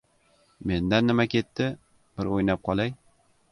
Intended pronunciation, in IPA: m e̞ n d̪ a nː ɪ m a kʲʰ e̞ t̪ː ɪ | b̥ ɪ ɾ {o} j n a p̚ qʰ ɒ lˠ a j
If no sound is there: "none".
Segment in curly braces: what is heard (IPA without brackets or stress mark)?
o